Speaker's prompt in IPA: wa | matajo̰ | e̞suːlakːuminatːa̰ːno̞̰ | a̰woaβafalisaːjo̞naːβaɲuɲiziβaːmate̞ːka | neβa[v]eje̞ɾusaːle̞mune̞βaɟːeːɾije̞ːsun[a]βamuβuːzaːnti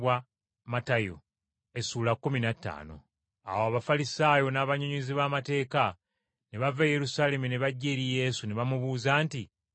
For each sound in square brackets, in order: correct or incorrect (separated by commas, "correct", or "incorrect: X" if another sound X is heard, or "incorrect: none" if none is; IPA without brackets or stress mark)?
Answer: correct, incorrect: e